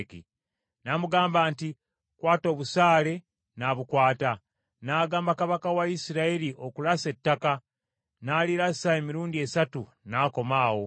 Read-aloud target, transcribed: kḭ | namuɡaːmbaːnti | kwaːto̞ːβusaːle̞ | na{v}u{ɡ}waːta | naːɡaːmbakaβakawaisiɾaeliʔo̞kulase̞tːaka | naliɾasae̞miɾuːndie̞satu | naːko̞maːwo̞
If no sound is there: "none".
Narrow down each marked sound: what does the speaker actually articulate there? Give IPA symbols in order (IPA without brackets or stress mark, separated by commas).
β, k